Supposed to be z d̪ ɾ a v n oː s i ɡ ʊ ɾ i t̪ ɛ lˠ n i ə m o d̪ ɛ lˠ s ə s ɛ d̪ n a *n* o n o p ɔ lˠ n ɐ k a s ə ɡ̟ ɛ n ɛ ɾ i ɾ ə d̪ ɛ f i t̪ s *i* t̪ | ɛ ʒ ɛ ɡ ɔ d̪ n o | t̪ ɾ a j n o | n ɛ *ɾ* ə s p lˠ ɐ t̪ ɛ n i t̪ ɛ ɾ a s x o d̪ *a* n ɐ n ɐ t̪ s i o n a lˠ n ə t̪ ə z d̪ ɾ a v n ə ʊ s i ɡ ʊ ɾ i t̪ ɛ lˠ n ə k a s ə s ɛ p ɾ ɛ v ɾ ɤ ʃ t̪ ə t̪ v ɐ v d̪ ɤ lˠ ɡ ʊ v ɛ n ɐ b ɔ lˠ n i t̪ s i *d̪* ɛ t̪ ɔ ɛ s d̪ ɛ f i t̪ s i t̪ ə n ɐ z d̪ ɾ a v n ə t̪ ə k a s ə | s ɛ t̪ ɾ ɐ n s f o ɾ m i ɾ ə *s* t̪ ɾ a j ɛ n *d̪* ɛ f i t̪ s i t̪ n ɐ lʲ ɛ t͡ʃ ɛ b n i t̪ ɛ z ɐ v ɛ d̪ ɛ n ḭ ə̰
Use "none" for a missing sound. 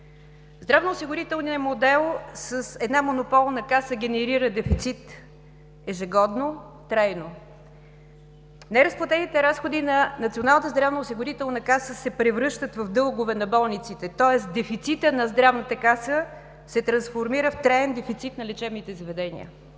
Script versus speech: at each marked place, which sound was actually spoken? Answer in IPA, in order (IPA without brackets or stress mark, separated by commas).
m, i, ɾ, i, t̪, f, d̪